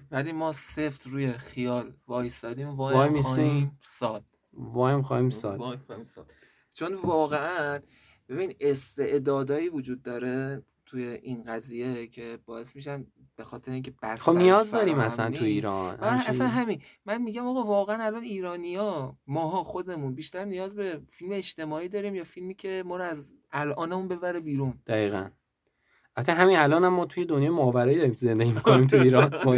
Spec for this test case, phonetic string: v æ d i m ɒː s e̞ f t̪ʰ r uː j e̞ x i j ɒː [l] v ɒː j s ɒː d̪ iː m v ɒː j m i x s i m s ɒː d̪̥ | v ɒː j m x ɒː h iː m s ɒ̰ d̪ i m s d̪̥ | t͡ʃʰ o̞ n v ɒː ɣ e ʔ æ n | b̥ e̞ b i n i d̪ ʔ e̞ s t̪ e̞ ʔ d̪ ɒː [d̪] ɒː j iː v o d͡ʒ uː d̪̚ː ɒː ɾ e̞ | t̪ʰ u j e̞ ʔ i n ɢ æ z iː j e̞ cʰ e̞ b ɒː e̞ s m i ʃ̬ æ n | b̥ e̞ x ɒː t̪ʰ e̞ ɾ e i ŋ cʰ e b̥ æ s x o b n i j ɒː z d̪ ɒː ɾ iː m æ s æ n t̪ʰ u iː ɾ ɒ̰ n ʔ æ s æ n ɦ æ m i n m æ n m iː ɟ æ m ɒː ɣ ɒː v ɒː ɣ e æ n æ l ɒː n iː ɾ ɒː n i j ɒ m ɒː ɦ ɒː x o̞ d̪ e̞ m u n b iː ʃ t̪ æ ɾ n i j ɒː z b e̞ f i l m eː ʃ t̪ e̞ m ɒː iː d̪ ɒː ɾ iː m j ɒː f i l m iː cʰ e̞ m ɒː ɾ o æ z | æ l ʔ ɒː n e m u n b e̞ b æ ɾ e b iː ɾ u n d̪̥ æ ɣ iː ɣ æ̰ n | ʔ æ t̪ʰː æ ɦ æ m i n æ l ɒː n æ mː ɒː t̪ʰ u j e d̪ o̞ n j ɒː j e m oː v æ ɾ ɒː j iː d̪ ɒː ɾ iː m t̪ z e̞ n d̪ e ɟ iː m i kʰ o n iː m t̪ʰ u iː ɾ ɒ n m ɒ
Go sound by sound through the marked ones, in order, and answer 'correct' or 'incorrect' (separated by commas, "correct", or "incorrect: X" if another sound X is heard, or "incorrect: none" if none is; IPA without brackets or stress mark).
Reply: correct, correct